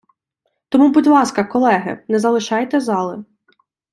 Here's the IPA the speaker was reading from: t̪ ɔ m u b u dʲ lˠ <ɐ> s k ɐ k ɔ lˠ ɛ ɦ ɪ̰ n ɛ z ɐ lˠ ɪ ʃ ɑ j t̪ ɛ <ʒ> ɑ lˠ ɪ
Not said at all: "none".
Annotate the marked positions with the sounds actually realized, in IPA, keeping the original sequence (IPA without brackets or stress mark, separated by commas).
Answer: ɑ, z